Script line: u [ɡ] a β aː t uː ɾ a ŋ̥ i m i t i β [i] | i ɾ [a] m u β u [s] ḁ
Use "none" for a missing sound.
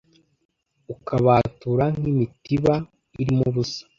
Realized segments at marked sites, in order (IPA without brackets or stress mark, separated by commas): k, a, i, s